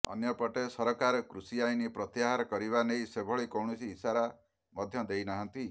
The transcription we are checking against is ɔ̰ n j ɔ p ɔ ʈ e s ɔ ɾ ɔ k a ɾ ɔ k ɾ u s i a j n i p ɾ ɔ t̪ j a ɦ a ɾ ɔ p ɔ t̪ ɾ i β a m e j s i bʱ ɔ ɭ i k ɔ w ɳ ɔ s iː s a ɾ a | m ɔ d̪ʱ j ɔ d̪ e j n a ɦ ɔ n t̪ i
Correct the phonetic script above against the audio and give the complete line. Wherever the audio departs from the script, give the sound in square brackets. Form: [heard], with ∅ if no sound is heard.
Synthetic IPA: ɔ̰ n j ɔ p ɔ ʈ e s ɔ ɾ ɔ k a ɾ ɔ k ɾ u s i a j n i p ɾ ɔ t̪ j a ɦ a ɾ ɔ [k] ɔ [∅] ɾ i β a [n] e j s [e] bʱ ɔ ɭ i k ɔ w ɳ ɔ s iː s a ɾ a | m ɔ d̪ʱ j ɔ d̪ e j n a ɦ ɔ n t̪ i